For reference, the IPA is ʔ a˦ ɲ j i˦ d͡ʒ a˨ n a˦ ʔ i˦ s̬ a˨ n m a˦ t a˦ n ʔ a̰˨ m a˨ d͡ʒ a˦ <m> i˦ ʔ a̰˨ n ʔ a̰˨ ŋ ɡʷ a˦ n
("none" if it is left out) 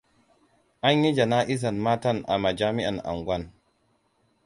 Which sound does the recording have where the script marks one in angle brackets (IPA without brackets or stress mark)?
m